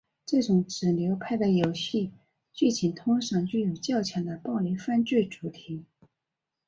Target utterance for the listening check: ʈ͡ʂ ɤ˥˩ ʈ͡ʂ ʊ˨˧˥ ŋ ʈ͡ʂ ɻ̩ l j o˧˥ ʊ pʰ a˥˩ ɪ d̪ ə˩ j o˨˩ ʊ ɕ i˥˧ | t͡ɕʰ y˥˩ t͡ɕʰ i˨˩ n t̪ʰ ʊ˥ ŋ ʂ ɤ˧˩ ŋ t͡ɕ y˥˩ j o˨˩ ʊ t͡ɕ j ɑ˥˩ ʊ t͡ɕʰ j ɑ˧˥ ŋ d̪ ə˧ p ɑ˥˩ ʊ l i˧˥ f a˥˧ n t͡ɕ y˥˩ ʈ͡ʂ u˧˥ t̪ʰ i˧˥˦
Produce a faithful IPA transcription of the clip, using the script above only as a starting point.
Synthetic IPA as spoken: ʈ͡ʂ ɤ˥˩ ʈ͡ʂ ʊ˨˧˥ ŋ ʈ͡ʂ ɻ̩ l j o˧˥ ʊ pʰ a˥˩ ɪ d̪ ə˩ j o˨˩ ʊ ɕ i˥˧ | t͡ɕ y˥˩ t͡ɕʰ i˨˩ n t̪ʰ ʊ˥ ŋ ʂ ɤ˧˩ ŋ t͡ɕ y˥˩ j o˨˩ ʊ t͡ɕ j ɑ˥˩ ʊ t͡ɕʰ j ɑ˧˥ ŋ d̪ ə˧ p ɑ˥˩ ʊ l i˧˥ f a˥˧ n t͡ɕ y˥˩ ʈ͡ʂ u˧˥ t̪ʰ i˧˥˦